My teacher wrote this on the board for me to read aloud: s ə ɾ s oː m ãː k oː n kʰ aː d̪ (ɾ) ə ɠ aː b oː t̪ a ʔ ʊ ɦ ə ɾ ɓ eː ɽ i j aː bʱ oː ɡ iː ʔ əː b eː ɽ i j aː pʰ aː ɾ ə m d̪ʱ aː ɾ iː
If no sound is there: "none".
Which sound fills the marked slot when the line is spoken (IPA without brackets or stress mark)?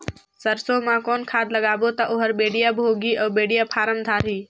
l